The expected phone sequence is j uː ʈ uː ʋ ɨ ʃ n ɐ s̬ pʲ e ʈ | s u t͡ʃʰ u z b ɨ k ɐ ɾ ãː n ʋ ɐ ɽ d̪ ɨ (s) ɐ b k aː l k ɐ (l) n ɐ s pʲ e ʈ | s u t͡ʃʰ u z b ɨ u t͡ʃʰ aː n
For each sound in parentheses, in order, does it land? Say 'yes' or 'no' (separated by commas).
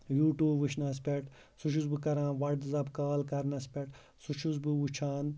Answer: no, no